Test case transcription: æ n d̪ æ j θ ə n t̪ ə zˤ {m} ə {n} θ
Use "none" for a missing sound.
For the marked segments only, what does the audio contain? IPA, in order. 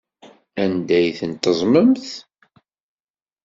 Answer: m, m

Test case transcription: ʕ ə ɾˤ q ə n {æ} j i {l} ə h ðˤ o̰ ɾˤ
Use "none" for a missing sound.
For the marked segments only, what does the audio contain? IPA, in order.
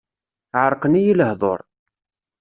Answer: i, l

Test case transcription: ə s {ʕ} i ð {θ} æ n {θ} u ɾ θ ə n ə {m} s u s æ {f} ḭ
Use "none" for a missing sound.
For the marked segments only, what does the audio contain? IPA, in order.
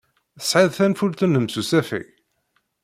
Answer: ʕ, θ, f, m, f

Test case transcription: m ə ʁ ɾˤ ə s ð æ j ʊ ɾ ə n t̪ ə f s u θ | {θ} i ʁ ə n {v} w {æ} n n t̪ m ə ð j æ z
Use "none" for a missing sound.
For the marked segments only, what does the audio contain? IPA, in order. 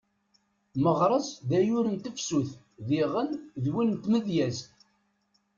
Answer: ð, ð, i

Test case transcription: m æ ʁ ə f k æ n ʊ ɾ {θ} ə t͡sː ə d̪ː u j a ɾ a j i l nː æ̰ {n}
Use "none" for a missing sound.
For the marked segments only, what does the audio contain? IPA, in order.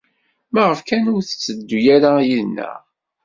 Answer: θ, none

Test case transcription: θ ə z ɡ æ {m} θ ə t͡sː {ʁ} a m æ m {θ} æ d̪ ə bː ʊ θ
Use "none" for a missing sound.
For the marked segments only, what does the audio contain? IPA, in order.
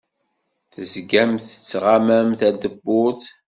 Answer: m, ʁ, θ

